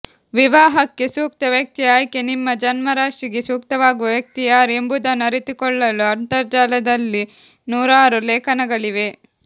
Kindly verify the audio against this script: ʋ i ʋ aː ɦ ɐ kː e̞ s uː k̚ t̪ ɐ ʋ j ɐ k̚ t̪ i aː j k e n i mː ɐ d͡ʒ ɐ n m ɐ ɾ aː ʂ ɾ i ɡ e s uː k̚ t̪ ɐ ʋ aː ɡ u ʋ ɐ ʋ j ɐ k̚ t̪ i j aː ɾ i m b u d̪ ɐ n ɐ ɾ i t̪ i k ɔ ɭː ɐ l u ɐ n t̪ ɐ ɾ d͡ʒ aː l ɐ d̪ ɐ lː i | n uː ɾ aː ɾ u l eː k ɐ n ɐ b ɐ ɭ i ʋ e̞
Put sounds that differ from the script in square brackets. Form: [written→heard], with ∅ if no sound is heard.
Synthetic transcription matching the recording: ʋ i ʋ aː ɦ ɐ kː e̞ s uː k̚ t̪ ɐ ʋ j ɐ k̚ t̪ i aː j k e n i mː ɐ d͡ʒ ɐ n m ɐ ɾ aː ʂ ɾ i ɡ e s uː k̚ t̪ ɐ ʋ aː ɡ u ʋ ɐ ʋ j ɐ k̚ t̪ i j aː ɾ [i→e] m b u d̪ ɐ n ɐ ɾ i t̪ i k ɔ ɭː ɐ l u ɐ n t̪ ɐ ɾ d͡ʒ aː l ɐ d̪ ɐ lː i | n uː ɾ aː ɾ u l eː k ɐ n ɐ [b→ɡ] ɐ ɭ i ʋ e̞